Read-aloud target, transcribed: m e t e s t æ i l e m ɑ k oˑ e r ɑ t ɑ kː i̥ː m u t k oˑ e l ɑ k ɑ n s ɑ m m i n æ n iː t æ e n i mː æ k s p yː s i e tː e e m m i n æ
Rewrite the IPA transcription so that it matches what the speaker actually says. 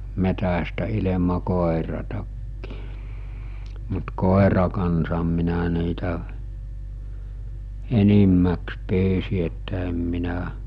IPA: m e t æ s t æ i l e m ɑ k oˑ e r ɑ t ɑ kː i̥ː m u t k oˑ e r ɑ k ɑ n s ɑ m m i n æ n iː t æ e n i mː æ k s p yː s i e tː æ e m m i n æ